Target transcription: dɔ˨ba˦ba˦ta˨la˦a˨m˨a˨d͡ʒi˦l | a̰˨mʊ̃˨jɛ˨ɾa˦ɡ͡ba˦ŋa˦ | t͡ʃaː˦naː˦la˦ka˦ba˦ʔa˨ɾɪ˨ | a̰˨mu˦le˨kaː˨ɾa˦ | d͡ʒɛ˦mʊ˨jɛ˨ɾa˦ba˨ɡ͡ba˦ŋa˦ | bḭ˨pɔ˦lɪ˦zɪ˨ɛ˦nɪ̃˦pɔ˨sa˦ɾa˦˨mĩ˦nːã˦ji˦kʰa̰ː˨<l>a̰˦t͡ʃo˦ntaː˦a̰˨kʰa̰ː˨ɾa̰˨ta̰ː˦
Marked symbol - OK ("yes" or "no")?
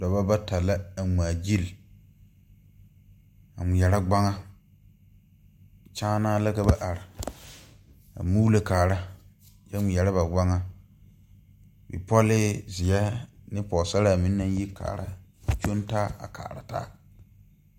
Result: no